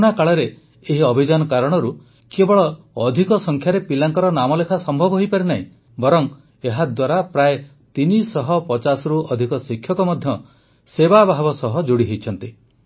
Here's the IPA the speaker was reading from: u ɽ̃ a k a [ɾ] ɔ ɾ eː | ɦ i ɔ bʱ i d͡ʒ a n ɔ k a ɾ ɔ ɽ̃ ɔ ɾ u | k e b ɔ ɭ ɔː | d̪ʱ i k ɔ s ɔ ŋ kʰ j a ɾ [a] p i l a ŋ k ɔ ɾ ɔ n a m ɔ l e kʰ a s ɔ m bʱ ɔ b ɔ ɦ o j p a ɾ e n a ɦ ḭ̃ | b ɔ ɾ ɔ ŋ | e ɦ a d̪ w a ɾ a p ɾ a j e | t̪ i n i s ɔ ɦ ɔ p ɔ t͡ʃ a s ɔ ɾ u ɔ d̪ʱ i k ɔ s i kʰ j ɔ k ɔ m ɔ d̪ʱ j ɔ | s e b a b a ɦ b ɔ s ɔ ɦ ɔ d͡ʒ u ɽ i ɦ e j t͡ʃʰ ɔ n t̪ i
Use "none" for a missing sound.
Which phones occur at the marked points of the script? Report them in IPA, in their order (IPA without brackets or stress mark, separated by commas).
ɭ, e